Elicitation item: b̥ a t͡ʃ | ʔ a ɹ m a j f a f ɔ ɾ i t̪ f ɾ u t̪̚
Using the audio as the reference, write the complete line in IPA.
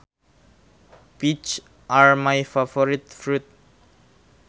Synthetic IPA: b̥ i t͡ʃ | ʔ a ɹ m a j f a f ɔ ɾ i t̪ f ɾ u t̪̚